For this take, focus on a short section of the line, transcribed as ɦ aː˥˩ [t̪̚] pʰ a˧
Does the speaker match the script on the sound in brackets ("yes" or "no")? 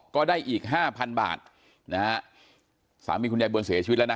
no